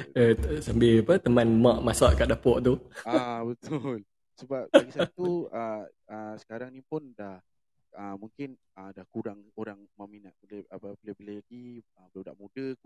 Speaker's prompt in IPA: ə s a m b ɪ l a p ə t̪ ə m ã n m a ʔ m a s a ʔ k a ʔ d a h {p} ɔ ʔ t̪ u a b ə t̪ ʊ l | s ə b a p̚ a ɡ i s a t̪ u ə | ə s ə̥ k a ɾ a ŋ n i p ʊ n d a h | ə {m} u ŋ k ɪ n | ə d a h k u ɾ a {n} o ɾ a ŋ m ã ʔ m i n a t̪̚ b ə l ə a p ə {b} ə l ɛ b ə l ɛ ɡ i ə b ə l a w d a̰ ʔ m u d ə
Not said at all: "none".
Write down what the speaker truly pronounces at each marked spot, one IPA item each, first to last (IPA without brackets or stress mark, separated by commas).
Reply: p, m, ŋ, b